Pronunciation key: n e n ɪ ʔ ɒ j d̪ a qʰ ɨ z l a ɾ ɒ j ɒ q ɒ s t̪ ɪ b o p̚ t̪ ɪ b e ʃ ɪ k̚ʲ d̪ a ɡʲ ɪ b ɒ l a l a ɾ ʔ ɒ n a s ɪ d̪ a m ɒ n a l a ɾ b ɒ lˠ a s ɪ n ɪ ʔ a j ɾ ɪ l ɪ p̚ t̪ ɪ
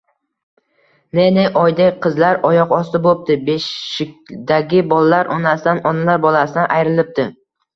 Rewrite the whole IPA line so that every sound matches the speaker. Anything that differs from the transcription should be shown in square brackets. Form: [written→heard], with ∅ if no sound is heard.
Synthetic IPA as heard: n e n ɪ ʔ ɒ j d̪ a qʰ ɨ z l a ɾ ɒ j ɒ q ɒ s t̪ ɪ b o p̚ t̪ ɪ b e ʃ ɪ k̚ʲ d̪ a ɡʲ ɪ b ɒ l a l a ɾ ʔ ɒ n a s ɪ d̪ a [m→n] ɒ n a l a ɾ b ɒ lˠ a s ɪ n ɪ ʔ a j ɾ ɪ l ɪ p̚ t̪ ɪ